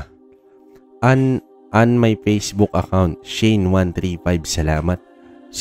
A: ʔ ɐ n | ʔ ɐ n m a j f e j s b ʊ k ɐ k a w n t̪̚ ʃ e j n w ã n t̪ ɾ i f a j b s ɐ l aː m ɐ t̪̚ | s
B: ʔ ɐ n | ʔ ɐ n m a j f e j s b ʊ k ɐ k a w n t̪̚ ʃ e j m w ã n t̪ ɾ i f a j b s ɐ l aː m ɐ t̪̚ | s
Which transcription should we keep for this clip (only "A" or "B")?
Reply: A